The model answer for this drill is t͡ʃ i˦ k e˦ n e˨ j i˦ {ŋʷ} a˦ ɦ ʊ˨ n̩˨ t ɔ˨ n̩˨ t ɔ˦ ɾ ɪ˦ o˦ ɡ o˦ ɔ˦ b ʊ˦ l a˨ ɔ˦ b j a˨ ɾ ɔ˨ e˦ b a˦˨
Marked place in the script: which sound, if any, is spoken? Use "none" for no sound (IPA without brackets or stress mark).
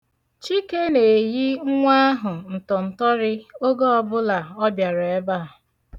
ŋʷ